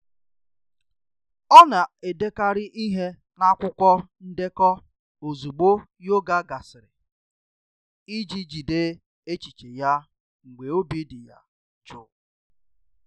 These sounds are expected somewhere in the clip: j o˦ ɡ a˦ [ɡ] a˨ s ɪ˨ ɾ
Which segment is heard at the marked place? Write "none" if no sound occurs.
ɡ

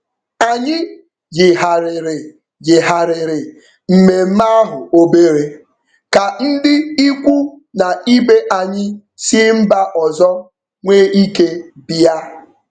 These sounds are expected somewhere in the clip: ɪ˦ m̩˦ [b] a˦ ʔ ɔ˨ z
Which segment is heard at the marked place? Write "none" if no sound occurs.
b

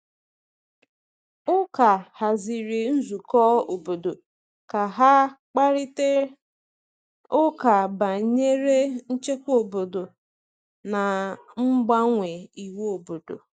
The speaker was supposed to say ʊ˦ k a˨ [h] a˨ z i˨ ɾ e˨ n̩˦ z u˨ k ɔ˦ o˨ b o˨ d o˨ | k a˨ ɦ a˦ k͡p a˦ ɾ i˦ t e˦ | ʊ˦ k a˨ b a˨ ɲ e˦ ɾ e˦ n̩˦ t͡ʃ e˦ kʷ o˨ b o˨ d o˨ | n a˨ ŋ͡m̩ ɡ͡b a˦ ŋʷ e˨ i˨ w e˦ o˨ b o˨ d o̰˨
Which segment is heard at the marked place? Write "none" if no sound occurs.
h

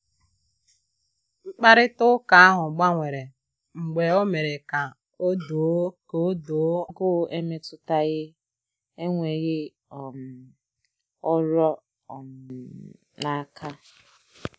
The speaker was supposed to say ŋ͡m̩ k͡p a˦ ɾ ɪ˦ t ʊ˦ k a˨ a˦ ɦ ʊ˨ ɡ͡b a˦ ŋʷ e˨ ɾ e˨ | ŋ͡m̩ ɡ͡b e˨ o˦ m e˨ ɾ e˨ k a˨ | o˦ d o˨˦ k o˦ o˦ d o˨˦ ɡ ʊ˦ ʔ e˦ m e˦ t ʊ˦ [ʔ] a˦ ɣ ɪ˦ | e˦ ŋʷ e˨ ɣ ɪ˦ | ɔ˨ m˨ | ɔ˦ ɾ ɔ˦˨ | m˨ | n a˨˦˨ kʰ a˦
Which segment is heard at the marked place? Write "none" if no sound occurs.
t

